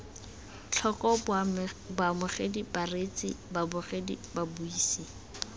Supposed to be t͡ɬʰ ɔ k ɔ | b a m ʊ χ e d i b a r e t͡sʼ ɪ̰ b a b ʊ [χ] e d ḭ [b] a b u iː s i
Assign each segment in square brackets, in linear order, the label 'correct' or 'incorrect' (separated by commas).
correct, correct